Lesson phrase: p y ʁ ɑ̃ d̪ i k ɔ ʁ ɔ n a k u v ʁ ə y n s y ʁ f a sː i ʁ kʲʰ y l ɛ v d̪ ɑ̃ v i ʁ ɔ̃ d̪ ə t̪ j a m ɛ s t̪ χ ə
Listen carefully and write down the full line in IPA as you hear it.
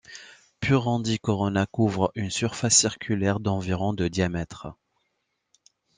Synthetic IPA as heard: p y ʁ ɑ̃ d̪ i k ɔ ʁ ɔ n a k u v ʁ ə y n s y ʁ f a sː i ʁ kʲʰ y l ɛ ʁ d̪ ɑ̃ v i ʁ ɔ̃ d̪ ə d̪ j a m ɛ t̪ χ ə